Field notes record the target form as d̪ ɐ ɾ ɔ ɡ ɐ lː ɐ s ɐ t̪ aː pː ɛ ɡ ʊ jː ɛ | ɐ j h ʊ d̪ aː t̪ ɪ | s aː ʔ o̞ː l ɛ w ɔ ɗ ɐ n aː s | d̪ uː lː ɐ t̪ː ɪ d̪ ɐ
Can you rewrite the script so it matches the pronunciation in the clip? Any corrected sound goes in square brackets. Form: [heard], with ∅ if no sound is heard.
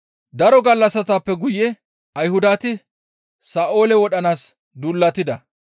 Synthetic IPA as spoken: d̪ ɐ ɾ ɔ ɡ ɐ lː ɐ s ɐ t̪ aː pː ɛ ɡ ʊ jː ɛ | ɐ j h ʊ d̪ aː t̪ ɪ | s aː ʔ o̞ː l ɛ w ɔ ɗ ɐ n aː s | d̪ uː lː ɐ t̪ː ɪ d̪ ɐ